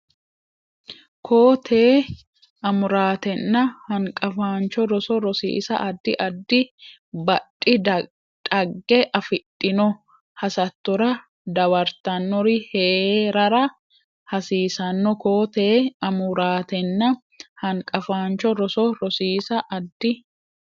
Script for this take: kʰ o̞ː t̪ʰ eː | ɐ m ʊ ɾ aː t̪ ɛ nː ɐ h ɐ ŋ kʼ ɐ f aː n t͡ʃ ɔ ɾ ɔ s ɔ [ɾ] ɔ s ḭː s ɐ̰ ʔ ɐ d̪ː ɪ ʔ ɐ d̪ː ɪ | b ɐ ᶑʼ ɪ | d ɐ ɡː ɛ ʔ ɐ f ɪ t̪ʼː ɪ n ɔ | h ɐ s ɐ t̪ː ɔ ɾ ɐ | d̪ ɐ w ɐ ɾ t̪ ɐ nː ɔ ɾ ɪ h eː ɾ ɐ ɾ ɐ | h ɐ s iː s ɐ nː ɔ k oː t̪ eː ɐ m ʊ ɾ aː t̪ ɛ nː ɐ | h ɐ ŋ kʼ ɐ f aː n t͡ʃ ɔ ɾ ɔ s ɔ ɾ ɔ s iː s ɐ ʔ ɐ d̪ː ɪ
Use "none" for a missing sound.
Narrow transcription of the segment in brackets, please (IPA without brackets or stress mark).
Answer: ɾ